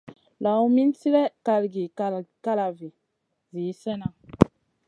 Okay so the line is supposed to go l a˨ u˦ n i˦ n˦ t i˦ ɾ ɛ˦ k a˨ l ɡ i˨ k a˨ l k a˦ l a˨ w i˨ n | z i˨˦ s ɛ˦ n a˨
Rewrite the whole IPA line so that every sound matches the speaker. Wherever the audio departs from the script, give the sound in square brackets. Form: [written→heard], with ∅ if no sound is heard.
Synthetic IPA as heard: l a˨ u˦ [n→m] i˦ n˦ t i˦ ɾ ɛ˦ k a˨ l ɡ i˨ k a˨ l k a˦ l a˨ [w→v] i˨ [n→∅] | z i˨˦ s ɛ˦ n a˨